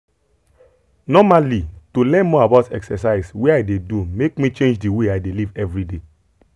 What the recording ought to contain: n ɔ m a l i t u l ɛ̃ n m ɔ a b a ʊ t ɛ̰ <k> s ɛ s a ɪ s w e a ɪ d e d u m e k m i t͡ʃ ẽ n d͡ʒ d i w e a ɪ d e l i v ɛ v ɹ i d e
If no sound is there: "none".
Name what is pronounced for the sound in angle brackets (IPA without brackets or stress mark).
k